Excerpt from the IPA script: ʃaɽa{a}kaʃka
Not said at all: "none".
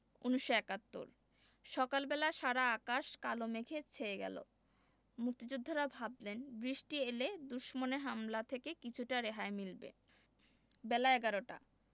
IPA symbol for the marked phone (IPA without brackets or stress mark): a